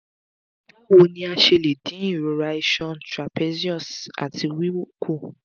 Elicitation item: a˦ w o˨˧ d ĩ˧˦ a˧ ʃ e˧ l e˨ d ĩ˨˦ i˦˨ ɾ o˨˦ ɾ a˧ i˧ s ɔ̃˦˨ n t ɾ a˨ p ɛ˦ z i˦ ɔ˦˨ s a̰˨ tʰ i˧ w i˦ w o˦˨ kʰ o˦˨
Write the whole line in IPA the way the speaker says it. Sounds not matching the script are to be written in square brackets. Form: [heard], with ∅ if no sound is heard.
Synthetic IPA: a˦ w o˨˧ [n] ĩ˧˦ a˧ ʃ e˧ l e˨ d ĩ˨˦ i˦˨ ɾ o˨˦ ɾ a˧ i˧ [ʃ] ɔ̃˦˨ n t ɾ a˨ p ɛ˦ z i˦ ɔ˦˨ s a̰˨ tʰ i˧ w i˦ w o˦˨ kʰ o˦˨